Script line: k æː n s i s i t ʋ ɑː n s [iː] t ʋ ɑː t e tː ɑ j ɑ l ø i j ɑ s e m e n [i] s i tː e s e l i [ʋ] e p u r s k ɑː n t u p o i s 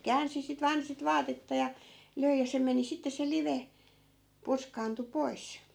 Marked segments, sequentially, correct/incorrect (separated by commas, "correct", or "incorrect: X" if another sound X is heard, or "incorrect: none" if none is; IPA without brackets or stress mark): incorrect: i, correct, correct